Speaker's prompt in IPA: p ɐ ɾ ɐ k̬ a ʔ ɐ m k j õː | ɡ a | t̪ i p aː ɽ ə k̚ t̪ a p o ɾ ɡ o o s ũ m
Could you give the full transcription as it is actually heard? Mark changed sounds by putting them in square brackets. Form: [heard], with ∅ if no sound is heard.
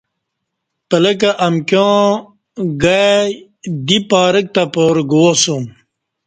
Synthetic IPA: p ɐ [l] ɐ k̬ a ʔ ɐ m k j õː | ɡ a | [d̪] i p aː [ɾ] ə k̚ t̪ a p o ɾ ɡ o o s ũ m